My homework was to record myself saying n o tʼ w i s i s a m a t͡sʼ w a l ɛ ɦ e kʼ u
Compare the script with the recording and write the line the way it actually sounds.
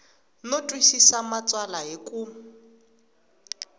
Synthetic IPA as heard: n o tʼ w i s i s a m a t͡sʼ w a l a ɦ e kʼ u